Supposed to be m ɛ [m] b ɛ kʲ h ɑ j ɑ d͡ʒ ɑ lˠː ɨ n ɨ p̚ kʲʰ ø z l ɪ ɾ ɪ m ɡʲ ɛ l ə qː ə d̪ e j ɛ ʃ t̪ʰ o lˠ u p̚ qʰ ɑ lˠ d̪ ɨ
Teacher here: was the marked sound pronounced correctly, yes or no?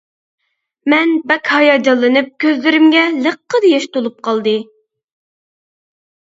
no